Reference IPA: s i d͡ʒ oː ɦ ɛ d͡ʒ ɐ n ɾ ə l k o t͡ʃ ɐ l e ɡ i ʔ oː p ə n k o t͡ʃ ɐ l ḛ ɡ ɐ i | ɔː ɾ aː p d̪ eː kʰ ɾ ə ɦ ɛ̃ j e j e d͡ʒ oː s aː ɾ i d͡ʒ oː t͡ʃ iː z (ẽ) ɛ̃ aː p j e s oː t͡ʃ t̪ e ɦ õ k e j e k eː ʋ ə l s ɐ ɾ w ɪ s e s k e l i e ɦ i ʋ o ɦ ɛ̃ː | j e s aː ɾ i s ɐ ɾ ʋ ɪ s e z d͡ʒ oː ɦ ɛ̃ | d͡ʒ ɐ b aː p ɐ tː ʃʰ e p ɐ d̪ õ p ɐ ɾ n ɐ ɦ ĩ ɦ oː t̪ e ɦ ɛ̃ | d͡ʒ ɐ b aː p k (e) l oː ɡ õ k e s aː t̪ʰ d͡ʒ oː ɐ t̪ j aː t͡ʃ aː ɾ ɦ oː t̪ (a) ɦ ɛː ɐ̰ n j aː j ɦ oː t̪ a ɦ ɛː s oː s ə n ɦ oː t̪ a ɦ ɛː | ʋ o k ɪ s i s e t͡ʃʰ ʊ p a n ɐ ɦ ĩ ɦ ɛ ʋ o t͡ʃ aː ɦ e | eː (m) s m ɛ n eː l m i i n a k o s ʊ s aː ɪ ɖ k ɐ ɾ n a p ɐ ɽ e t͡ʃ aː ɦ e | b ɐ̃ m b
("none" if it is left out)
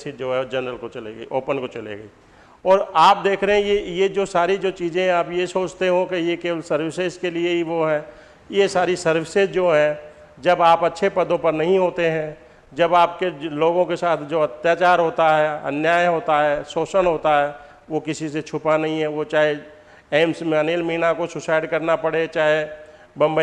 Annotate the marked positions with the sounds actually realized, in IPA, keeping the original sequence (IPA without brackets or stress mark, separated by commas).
ẽ, e, a, m